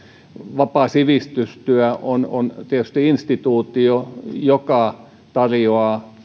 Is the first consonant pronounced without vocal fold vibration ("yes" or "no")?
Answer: no